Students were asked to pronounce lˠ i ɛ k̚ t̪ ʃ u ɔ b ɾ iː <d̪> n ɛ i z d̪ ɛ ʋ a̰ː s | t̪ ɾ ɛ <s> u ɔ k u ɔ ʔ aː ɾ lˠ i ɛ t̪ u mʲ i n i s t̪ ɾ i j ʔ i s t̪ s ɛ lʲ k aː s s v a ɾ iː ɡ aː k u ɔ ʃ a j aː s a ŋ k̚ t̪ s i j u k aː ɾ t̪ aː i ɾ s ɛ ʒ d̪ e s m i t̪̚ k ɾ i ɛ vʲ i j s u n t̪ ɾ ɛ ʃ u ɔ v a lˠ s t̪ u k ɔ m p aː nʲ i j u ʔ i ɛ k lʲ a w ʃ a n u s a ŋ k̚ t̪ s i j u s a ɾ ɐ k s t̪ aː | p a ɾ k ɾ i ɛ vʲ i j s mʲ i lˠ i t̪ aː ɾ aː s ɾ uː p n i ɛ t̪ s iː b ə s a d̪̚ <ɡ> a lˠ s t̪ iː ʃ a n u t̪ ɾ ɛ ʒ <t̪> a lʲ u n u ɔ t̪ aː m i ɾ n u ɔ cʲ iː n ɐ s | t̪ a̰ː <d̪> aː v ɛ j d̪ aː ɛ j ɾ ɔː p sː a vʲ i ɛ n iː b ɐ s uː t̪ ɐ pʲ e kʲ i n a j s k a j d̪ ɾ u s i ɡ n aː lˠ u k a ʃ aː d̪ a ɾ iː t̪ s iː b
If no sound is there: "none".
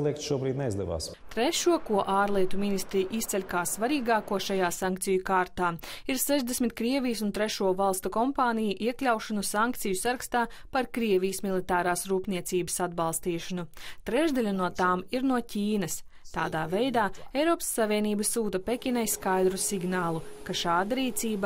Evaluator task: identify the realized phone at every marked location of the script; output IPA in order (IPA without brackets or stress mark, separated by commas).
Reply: d̪, ʃ, b, d̪, d̪